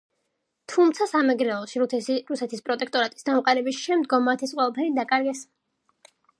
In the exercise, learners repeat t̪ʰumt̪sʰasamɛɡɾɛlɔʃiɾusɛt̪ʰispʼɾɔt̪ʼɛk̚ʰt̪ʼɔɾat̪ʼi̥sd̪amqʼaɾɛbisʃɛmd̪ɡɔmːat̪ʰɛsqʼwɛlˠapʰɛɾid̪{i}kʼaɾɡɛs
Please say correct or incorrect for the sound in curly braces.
incorrect: a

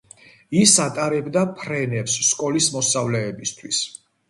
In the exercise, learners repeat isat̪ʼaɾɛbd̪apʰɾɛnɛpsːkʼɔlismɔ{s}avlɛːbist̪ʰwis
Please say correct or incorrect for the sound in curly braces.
correct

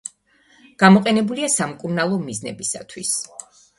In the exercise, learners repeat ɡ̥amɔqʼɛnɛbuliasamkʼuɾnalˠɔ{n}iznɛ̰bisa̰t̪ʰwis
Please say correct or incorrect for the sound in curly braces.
incorrect: m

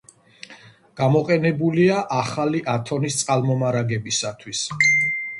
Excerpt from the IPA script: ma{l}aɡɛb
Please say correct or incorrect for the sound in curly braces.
incorrect: ɾ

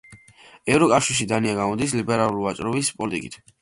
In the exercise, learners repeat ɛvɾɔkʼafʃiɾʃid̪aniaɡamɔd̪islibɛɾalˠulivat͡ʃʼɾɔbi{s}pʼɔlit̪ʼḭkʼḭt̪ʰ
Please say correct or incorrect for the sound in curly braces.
correct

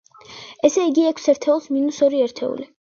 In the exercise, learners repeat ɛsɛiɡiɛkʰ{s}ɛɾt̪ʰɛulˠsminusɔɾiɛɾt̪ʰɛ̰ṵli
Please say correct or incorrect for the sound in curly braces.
correct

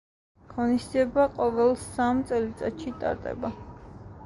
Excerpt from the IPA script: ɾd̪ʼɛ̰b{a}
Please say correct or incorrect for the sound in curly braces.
correct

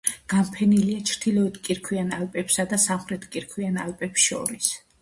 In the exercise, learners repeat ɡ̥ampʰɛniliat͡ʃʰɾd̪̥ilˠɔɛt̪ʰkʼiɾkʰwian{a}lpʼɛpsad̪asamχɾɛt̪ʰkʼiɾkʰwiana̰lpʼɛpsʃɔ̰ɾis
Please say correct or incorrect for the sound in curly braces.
correct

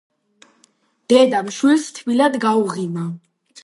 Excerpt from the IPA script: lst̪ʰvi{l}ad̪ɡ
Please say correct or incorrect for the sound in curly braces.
correct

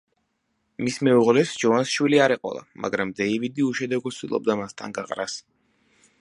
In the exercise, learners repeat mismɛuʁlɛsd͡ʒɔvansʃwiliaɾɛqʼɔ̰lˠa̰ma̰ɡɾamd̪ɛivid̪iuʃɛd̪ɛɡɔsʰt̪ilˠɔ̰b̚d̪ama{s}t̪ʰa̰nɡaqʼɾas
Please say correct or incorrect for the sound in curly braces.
correct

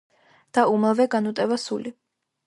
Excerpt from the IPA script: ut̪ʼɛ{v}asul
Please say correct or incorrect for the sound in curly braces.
correct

